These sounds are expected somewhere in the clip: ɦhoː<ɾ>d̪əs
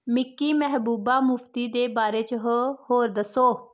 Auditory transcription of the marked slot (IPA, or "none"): ɾ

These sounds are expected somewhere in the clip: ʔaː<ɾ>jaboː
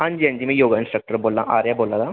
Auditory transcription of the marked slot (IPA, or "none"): ɾ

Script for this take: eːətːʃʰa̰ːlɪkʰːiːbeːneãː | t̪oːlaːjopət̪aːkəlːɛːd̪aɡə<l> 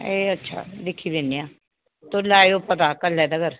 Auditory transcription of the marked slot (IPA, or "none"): ɾ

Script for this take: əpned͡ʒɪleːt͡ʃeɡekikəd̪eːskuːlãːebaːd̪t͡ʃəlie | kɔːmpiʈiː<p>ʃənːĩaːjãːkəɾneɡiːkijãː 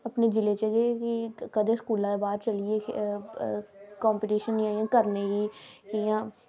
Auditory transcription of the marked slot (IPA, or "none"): none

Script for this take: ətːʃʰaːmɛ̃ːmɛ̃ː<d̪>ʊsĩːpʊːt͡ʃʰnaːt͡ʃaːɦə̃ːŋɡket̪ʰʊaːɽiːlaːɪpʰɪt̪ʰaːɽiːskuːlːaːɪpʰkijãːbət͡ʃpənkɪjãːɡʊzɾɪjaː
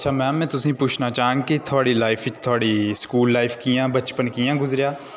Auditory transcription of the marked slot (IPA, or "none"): t̪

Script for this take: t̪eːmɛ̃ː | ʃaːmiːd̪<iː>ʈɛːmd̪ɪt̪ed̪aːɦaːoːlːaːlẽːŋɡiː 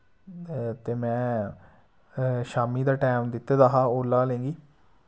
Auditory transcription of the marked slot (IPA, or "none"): aː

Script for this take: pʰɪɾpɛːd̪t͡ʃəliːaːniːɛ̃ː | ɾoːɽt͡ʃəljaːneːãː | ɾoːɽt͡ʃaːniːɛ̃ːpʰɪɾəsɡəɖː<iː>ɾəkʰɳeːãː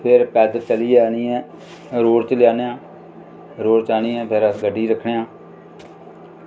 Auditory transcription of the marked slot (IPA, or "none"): iː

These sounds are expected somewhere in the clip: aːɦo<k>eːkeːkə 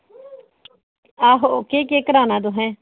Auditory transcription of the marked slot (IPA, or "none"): k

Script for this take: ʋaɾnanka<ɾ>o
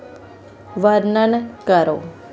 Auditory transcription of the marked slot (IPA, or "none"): ɾ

